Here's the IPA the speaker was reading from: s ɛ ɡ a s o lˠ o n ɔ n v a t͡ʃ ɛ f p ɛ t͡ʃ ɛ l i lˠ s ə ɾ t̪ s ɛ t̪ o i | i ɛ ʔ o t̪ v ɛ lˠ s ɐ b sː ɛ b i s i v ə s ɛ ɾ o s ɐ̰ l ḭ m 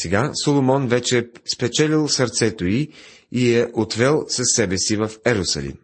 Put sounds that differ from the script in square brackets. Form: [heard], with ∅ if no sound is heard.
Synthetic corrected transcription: s ɛ ɡ a s o lˠ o [m] ɔ n v [ɛ] t͡ʃ ɛ [s] p ɛ t͡ʃ ɛ l i lˠ s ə ɾ t̪ s ɛ t̪ o i | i ɛ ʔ o t̪ v ɛ lˠ s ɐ [∅] sː ɛ b [ɛ] s i v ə [f] ɛ ɾ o s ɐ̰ l ḭ m